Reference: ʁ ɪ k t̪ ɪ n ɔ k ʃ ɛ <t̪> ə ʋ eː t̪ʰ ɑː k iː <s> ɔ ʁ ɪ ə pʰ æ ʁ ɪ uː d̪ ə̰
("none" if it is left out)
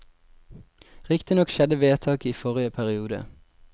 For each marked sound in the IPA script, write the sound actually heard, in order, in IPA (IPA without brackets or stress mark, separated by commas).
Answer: d̪, f